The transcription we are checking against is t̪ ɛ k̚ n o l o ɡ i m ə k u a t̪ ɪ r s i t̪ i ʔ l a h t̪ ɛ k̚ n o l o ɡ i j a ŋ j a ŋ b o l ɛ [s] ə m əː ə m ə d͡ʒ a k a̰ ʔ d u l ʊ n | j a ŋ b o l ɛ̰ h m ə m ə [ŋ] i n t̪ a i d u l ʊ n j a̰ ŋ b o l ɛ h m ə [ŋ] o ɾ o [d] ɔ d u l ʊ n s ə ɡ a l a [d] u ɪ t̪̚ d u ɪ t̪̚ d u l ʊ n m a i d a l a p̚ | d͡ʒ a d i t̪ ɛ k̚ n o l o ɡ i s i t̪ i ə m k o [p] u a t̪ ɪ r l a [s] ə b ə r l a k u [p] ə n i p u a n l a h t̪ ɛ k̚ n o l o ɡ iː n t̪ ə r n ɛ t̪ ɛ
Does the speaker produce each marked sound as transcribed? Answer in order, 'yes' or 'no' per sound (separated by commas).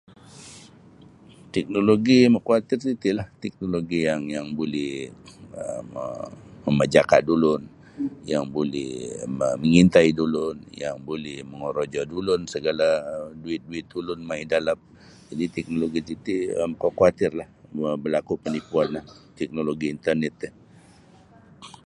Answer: no, yes, yes, no, yes, no, no, yes